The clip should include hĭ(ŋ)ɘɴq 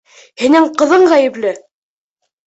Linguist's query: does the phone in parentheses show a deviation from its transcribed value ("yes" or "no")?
yes